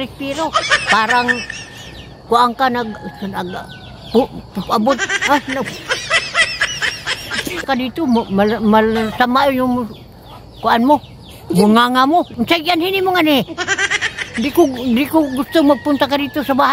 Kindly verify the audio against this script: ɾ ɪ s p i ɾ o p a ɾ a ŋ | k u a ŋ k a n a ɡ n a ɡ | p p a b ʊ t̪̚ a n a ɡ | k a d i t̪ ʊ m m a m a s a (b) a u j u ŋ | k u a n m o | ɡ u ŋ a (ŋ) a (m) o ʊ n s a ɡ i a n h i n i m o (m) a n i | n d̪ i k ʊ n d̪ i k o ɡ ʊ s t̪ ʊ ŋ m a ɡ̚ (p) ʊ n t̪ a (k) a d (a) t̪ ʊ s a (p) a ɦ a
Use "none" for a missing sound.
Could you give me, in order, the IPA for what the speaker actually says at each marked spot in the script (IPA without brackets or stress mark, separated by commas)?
m, ŋ, m, ŋ, p, k, i, b